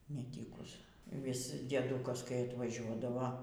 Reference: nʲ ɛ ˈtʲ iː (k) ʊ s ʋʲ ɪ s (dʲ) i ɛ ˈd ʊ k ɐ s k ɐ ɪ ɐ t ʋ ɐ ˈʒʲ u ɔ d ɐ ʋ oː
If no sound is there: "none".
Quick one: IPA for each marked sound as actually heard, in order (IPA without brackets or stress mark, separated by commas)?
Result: k, dʲ